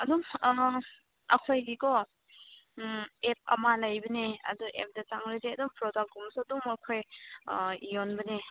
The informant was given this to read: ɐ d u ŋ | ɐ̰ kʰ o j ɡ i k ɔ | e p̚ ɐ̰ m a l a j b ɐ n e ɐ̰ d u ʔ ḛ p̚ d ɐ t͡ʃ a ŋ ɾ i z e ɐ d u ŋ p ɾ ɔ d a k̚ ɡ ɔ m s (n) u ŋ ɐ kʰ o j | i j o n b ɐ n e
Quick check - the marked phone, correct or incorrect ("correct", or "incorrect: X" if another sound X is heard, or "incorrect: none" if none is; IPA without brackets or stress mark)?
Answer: incorrect: d